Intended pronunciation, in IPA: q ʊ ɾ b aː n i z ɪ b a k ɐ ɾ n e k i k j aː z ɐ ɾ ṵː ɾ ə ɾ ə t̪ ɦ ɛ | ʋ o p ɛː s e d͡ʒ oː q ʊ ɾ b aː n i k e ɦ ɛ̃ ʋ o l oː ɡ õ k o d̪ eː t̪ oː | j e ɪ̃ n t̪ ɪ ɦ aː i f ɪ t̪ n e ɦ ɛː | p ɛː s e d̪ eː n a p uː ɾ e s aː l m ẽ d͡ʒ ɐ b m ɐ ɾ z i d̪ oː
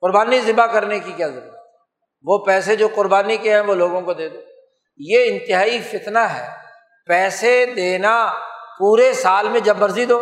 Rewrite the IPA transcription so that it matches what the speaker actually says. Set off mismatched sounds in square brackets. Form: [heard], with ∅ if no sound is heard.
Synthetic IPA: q ʊ ɾ b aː n i z ɪ b a k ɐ ɾ n e k i k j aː z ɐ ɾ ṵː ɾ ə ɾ ə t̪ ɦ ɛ | ʋ o p ɛː s e d͡ʒ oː q ʊ ɾ b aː n i k e ɦ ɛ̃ ʋ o l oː ɡ õ k o d̪ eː [d̪] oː | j e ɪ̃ n t̪ ɪ ɦ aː i f ɪ t̪ n [a] ɦ ɛː | p ɛː s e d̪ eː n a p uː ɾ e s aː l m ẽ d͡ʒ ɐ b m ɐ ɾ z i d̪ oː